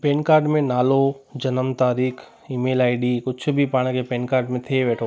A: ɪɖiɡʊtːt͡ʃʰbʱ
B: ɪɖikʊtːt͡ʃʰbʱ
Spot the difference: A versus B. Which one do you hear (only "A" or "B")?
B